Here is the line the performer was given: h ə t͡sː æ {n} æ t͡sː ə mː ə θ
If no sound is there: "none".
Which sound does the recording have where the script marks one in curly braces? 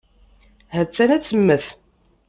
n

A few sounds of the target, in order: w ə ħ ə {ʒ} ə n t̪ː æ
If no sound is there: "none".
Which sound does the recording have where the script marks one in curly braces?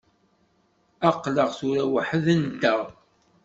ð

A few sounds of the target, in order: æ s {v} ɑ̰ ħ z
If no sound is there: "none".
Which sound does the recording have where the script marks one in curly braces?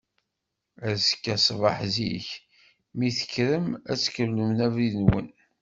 v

